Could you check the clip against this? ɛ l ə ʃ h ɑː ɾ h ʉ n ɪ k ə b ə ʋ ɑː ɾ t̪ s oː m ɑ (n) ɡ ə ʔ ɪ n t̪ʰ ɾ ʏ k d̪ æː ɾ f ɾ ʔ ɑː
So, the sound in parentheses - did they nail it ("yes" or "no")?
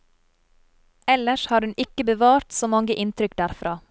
no